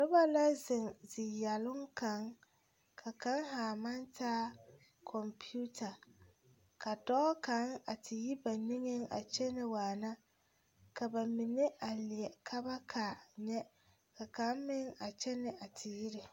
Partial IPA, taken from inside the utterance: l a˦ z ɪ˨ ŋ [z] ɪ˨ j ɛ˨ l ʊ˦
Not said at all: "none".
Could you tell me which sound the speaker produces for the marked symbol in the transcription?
z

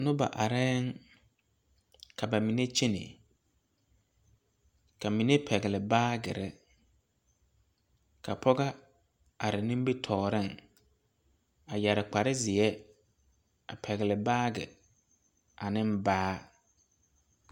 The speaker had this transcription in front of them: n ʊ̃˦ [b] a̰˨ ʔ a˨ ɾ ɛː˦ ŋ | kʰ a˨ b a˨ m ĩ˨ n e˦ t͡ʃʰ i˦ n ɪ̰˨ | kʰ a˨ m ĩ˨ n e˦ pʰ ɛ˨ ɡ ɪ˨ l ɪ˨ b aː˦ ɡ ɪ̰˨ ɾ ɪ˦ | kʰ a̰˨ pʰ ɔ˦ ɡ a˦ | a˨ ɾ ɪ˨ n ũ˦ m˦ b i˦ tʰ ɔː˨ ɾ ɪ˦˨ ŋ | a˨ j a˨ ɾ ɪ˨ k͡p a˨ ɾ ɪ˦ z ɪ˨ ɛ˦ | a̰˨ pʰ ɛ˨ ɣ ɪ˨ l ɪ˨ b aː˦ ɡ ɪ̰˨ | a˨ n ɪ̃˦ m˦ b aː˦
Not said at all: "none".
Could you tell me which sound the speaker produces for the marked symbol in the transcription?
b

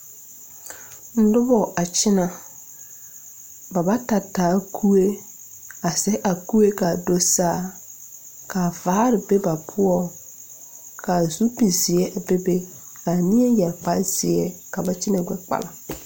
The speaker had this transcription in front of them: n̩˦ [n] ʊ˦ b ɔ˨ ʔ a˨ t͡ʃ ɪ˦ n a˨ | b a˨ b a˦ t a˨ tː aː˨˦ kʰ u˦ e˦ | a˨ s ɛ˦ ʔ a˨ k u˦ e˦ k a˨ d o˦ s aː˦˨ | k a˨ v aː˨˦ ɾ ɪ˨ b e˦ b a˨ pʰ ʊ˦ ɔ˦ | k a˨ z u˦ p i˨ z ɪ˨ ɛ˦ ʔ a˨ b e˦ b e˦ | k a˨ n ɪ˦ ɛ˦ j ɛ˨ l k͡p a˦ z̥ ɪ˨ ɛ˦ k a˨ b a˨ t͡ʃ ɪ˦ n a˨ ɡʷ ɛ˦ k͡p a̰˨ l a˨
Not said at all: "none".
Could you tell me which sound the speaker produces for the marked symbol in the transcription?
d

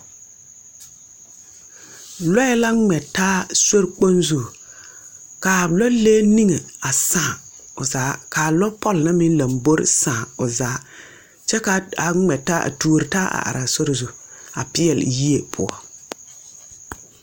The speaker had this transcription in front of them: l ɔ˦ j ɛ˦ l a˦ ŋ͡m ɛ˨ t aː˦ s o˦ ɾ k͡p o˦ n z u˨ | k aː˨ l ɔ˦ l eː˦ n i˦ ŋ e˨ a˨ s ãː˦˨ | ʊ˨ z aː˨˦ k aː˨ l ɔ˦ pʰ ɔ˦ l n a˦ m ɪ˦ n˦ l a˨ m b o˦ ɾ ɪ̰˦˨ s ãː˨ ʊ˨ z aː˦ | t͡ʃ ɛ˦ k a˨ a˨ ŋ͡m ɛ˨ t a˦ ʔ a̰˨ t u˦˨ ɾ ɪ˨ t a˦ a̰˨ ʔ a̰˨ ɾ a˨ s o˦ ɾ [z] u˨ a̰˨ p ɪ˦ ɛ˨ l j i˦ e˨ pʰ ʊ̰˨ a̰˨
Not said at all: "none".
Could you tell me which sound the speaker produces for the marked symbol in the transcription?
z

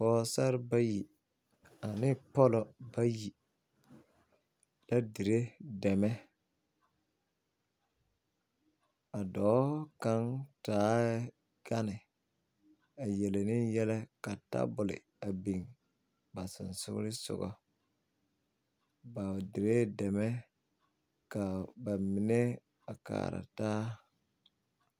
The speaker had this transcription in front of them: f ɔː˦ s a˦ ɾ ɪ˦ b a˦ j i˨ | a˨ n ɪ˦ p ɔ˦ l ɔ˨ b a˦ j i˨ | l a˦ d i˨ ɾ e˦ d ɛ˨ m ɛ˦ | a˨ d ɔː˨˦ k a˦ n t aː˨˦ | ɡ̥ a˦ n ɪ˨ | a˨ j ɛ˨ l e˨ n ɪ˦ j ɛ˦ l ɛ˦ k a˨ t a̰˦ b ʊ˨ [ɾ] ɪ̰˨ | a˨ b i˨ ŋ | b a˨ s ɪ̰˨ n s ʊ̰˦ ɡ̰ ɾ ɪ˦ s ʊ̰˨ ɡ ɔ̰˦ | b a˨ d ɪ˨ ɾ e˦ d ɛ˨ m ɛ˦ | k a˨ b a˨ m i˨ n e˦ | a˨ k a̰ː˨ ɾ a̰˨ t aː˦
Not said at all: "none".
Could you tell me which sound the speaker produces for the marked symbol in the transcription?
l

